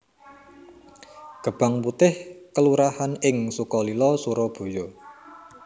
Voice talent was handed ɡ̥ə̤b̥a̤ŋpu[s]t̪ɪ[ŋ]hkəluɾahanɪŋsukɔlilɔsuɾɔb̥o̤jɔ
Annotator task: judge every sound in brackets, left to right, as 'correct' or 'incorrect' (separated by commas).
incorrect, incorrect